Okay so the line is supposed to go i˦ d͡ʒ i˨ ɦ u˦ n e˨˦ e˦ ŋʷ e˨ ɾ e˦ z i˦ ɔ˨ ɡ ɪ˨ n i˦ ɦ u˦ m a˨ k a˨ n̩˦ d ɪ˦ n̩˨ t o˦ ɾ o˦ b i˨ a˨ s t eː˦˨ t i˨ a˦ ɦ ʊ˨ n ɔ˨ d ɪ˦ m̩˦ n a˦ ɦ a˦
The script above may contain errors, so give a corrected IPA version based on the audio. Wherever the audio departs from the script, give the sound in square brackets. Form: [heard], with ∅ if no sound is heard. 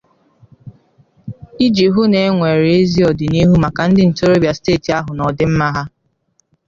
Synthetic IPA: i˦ d͡ʒ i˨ ɦ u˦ n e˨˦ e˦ ŋʷ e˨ ɾ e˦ z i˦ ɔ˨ [d] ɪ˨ n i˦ ɦ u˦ m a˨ k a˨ n̩˦ d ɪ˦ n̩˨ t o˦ ɾ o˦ b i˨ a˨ s t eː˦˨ t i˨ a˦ ɦ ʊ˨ n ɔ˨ d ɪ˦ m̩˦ [m] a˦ ɦ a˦